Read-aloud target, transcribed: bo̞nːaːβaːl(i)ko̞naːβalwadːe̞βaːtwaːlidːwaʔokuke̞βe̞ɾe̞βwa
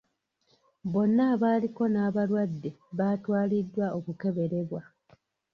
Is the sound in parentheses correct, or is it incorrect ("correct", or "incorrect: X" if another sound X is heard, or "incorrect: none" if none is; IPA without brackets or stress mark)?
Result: correct